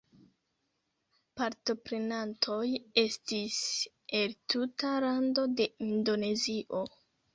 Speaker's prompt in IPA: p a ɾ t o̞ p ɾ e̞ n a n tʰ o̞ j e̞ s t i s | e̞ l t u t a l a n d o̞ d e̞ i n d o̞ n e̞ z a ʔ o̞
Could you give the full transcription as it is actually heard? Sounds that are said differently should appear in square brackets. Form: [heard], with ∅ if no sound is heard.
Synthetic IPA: p a ɾ t o̞ p ɾ e̞ n a n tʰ o̞ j e̞ s t i s | e̞ l t u t a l a n d o̞ d e̞ i n d o̞ n e̞ z [i] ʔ o̞